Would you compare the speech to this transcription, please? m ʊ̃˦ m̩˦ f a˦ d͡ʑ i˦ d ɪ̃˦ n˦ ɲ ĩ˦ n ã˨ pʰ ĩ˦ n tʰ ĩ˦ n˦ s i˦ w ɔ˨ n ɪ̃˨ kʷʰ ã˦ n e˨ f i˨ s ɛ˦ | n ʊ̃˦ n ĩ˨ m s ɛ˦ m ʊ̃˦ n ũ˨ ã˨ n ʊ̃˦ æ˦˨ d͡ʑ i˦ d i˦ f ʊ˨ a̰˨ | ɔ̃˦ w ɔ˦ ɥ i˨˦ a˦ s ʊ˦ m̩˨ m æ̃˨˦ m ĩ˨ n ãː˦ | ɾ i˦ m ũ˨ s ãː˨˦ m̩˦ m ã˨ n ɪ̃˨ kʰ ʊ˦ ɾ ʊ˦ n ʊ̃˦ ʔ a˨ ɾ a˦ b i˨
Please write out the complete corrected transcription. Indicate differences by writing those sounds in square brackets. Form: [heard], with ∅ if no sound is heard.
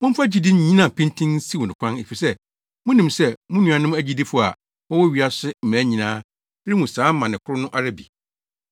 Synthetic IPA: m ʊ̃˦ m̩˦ f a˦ d͡ʑ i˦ d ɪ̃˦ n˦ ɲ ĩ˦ n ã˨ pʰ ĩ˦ n tʰ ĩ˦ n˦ s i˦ w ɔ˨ n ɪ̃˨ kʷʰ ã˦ n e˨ f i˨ s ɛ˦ | [m] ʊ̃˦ n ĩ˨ m s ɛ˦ m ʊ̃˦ n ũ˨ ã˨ n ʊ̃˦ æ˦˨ d͡ʑ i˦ d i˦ f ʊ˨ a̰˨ | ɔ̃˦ w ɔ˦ ɥ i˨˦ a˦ s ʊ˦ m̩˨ m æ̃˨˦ [ɲ] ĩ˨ n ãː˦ | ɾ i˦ m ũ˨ s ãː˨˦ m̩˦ m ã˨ n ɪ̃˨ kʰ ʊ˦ ɾ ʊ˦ n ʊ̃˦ ʔ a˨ ɾ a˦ b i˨